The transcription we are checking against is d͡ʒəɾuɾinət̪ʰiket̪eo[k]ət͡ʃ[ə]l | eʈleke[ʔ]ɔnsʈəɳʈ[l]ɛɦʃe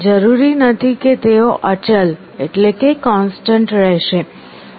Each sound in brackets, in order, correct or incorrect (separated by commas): incorrect, correct, incorrect, incorrect